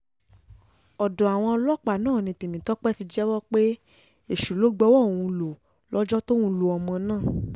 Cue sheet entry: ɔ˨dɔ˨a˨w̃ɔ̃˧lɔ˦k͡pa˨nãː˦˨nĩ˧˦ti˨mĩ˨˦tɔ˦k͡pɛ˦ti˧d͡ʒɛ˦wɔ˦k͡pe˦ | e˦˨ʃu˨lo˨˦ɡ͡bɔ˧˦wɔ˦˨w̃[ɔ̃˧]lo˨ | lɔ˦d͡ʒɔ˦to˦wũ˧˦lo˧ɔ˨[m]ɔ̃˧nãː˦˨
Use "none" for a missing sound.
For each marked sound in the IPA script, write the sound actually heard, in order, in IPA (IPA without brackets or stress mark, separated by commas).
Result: ũ˧, m